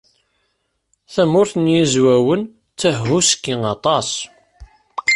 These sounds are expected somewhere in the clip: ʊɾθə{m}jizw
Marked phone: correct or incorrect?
incorrect